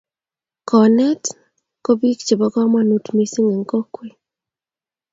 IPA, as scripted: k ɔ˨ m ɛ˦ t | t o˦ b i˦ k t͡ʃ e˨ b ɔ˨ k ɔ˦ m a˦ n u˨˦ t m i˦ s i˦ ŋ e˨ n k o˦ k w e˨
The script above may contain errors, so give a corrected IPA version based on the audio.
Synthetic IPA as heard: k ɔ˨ n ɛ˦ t | k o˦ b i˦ k t͡ʃ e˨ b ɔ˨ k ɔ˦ m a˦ n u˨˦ t m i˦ s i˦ ŋ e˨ ŋ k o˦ k w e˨